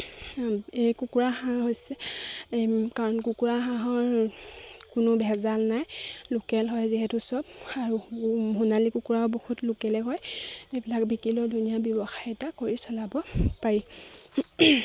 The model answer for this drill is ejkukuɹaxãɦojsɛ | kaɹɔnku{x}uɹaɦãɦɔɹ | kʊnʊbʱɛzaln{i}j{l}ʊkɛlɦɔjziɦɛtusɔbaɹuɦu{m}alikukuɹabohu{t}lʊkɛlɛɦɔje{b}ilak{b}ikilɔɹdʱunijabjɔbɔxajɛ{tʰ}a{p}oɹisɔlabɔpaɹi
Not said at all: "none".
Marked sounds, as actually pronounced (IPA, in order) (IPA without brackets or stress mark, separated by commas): k, a, l, n, t, b, b, t, k